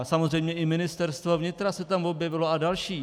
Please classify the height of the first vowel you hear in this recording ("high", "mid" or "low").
low